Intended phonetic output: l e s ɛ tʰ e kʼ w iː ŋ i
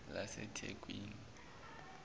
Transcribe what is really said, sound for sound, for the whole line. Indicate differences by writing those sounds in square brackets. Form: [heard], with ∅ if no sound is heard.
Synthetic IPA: l [a] s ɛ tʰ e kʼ w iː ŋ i